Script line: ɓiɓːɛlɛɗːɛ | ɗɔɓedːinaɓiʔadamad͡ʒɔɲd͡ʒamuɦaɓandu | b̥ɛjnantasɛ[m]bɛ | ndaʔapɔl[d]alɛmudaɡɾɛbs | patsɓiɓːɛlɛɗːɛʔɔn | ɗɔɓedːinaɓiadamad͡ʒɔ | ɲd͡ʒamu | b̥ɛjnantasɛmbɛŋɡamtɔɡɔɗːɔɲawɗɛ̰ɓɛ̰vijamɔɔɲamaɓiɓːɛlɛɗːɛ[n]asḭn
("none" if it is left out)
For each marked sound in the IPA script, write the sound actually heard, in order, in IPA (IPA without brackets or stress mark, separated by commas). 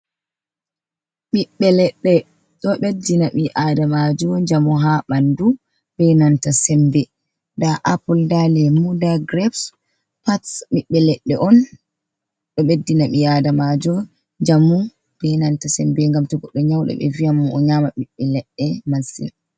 m, d, m